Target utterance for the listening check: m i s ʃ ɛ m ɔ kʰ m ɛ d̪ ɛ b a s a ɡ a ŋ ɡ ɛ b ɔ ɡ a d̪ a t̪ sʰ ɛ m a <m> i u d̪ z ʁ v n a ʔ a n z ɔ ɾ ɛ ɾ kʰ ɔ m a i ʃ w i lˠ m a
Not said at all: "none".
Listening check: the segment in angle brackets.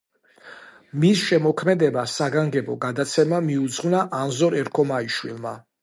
m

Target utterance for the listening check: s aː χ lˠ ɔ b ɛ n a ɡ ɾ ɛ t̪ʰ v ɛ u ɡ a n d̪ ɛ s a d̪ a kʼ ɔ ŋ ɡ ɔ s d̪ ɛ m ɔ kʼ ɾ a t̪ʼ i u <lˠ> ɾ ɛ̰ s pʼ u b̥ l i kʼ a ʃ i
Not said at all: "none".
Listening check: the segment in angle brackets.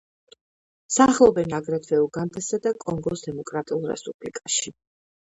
lˠ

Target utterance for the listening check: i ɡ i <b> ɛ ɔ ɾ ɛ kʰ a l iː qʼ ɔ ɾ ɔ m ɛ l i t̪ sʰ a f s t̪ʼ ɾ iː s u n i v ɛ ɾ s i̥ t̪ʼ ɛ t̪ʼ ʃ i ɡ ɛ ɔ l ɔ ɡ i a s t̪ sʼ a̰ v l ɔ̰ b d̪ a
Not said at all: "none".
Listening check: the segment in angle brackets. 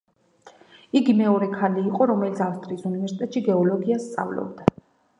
m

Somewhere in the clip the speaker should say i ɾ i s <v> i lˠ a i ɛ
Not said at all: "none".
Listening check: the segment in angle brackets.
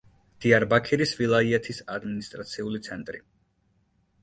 v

